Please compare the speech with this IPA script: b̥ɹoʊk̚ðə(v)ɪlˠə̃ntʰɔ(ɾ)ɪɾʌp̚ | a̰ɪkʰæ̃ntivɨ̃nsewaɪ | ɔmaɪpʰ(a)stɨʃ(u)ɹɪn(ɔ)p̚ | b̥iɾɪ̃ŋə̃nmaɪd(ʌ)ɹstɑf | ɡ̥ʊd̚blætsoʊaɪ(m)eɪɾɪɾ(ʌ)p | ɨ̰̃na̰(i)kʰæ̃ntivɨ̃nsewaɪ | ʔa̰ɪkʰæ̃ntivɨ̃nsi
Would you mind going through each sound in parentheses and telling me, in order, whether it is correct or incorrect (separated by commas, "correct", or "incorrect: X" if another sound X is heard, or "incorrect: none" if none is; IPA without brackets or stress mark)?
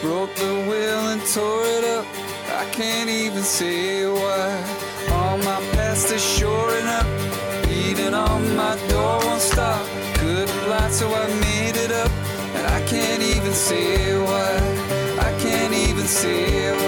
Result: incorrect: w, incorrect: ɹ, incorrect: æ, incorrect: ɔ, incorrect: ʌ, incorrect: ɔ, correct, correct, incorrect: ɪ